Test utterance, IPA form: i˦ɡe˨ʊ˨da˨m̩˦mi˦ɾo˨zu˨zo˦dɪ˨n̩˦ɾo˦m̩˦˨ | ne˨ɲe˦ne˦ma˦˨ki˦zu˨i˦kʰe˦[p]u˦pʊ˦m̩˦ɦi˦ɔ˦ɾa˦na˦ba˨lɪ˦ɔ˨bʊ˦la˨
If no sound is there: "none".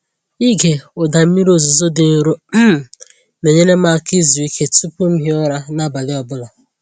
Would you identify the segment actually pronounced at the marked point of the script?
t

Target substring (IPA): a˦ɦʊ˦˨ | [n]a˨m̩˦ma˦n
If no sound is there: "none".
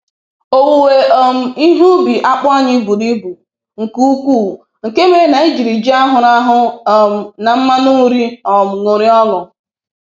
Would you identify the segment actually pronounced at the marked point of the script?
n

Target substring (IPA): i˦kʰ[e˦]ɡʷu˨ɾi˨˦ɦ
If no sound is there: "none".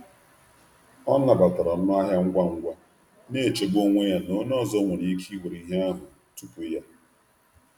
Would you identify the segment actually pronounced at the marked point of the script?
i˦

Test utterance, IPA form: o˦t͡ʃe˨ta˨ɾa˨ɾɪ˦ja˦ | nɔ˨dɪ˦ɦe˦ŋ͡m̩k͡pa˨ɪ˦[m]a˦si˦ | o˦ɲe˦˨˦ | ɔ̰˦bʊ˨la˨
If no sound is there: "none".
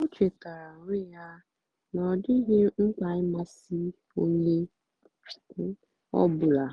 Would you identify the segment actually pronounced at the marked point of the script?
m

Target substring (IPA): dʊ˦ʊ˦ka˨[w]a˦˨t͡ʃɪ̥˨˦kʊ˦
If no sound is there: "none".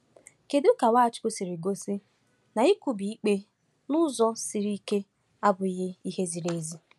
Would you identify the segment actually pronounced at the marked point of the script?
w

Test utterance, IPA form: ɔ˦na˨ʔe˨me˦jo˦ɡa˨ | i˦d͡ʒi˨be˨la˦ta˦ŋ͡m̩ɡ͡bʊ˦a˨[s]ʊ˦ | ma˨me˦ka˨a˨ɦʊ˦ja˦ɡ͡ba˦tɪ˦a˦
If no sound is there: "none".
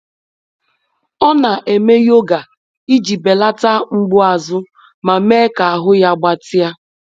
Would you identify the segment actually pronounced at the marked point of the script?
z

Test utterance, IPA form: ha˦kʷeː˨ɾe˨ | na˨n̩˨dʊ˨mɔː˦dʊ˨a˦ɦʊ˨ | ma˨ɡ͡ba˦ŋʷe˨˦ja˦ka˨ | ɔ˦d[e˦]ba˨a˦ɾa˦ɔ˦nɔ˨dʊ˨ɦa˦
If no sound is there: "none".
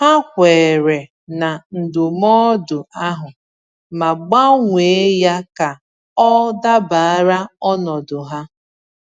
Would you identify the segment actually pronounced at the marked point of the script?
a˦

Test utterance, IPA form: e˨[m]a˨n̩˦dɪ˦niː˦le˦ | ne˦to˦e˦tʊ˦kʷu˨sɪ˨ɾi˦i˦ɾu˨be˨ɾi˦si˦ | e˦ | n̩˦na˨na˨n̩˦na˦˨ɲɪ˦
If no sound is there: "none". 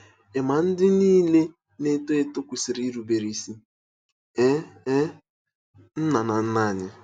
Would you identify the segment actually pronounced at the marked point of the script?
m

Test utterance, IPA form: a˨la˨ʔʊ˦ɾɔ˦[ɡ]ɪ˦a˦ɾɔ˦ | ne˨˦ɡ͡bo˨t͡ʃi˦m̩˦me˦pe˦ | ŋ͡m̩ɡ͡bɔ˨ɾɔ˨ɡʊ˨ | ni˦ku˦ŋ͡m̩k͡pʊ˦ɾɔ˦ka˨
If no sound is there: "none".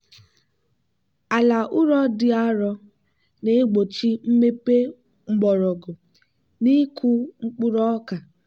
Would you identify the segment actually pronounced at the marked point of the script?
d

